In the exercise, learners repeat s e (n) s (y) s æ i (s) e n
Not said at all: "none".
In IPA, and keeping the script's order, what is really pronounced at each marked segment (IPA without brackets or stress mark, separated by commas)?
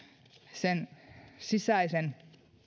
n, i, s